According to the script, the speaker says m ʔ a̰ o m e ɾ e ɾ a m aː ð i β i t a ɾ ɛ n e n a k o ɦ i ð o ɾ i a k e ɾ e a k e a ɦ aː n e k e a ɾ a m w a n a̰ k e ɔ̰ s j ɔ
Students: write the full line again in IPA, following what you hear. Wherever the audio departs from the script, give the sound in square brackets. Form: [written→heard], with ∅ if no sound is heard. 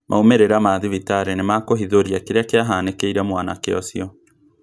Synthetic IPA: m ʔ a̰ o m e ɾ e ɾ a m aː ð i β i t a ɾ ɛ n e [n→m] a k o ɦ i ð o ɾ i a k e ɾ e a k e a ɦ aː n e k e [a→i] ɾ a m w a n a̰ k e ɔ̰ s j ɔ